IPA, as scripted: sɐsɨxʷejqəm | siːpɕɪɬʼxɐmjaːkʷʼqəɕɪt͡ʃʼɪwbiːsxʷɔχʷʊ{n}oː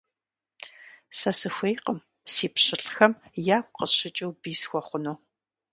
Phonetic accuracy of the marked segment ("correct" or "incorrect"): correct